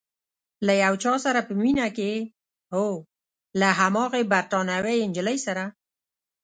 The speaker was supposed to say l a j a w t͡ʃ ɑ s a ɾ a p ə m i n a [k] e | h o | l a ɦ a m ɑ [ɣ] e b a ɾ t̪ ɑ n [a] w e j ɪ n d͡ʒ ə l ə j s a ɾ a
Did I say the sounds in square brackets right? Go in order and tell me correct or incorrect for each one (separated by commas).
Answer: correct, correct, correct